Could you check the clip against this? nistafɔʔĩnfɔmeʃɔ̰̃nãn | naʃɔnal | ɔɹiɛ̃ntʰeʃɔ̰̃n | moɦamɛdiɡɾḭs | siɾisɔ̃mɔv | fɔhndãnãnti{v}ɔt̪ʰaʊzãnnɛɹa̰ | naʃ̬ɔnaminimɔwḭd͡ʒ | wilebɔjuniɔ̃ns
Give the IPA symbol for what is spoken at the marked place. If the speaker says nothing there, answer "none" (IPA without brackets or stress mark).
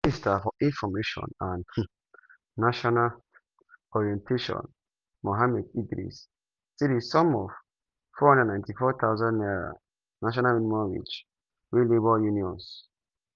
f